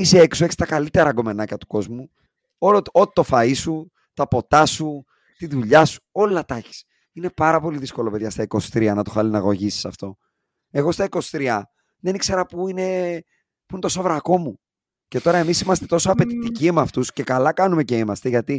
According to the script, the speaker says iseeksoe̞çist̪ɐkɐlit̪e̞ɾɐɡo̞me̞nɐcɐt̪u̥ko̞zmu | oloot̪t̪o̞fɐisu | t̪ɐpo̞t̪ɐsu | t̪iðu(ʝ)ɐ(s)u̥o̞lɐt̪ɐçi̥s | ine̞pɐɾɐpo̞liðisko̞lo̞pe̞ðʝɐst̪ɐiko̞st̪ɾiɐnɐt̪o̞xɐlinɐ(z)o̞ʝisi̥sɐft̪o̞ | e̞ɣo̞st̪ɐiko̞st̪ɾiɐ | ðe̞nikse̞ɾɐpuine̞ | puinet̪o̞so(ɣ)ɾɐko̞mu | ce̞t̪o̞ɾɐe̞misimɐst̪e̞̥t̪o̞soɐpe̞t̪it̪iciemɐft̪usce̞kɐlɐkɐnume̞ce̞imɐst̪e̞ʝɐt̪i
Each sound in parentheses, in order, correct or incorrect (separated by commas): incorrect, correct, incorrect, incorrect